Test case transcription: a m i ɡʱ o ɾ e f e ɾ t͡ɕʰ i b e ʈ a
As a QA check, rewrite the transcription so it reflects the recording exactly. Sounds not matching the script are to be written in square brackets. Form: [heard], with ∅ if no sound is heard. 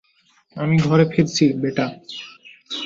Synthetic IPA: a m i ɡʱ [ɔ] ɾ e f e ɾ t͡ɕʰ i b e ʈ a